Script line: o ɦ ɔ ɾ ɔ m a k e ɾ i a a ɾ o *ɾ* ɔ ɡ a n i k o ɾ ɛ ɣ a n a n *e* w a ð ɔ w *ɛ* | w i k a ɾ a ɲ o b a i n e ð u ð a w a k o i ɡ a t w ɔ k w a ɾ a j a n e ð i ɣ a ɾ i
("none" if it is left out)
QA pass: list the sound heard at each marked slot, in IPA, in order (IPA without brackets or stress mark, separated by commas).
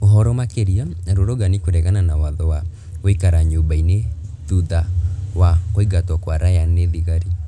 ɾ, a, a